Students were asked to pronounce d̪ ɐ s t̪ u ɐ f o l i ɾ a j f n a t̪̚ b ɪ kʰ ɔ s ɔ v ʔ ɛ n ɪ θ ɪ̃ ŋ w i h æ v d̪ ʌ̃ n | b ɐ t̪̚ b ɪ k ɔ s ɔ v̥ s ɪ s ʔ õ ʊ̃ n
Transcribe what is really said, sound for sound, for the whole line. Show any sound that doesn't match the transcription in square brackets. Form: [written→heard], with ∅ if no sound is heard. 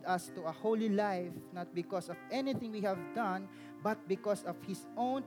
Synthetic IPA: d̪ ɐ s t̪ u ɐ [f→h] o l i [ɾ→l] a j f n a t̪̚ b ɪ [kʰ→k] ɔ s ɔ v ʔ ɛ n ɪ θ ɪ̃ ŋ w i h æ v d̪ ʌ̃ n | b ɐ t̪̚ b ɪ k ɔ s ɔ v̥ [s→h] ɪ s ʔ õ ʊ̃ n